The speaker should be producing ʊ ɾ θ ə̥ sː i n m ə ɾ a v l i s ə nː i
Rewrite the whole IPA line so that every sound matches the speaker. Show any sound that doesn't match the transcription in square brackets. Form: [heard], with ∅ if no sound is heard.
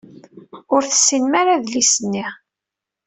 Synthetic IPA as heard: ʊ ɾ θ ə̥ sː i n m [a] ɾ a [ð] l i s ə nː i